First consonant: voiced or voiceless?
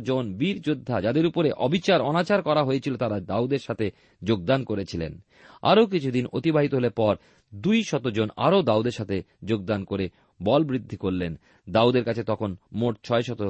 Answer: voiced